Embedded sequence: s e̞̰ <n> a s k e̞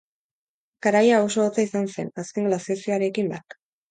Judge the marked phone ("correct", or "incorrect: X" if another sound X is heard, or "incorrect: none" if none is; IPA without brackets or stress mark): correct